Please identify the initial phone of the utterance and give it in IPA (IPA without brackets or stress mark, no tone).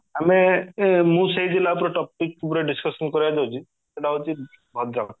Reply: a